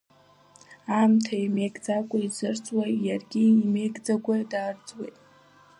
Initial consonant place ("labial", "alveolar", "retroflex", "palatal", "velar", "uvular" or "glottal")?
labial